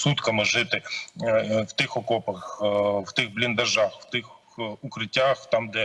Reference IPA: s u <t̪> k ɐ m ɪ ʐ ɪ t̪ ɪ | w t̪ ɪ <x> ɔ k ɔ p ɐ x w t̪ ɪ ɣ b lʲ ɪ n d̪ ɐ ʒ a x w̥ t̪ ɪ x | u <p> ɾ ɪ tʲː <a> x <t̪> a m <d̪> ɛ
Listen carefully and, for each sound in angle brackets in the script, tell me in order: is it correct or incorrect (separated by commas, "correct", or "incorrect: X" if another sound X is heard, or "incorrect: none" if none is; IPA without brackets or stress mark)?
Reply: correct, correct, incorrect: k, correct, correct, correct